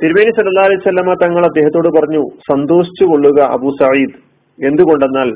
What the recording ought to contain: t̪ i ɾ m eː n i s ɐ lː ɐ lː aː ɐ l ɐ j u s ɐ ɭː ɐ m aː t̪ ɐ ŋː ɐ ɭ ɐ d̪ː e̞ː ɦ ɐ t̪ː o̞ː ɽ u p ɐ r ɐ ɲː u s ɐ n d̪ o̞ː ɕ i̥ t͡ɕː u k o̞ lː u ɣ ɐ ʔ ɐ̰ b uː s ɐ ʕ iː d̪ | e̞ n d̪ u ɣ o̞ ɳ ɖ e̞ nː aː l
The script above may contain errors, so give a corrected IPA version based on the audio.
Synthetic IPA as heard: t̪ i ɾ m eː n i s ɐ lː ɐ lː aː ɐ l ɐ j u s ɐ lː ɐ m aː t̪ ɐ ŋː ɐ ɭ ɐ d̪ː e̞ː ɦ ɐ t̪ː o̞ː ɽ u p ɐ r ɐ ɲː u s ɐ n d̪ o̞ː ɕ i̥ t͡ɕː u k o̞ ɭː u ɣ ɐ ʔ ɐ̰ b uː s ɐ ʕ iː d̪ | e̞ n d̪ u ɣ o̞ ɳ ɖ e̞ nː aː l